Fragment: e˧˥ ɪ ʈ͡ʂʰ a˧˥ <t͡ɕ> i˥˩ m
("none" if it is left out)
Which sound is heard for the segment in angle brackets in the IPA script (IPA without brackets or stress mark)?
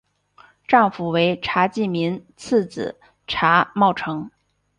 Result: t͡ɕ